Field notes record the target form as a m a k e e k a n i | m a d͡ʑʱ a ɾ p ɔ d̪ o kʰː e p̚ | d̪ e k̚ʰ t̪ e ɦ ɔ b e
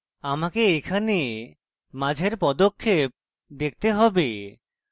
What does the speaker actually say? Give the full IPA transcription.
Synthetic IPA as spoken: a m a k e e kʰ a n e | m a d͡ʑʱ e ɾ p ɔ d̪ o kʰː e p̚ | d̪ e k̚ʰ t̪ e ɦ ɔ b e